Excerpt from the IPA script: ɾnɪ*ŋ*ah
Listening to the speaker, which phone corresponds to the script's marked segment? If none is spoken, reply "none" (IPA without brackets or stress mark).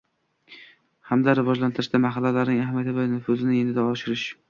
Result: ŋ